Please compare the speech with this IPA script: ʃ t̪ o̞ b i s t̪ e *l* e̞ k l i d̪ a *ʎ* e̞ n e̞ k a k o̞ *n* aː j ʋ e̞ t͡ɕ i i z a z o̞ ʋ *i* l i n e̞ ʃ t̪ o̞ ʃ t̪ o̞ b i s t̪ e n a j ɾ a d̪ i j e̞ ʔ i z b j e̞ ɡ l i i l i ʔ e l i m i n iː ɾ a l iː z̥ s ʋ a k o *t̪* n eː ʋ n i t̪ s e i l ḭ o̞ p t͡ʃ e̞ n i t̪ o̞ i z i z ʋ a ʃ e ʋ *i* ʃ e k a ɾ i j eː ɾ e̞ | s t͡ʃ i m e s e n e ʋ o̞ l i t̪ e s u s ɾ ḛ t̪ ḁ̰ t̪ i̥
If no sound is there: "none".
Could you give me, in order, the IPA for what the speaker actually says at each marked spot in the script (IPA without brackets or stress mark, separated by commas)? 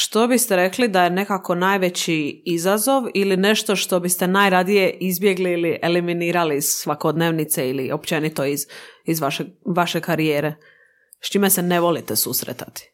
ɾ, j, n, i, d̪, a